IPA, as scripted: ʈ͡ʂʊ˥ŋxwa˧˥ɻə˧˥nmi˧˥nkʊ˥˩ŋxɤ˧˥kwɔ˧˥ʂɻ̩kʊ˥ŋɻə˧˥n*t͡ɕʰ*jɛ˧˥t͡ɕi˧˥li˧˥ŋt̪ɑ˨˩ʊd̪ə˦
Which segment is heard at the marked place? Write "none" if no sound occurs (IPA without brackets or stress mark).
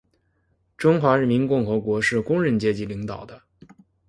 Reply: t͡ɕ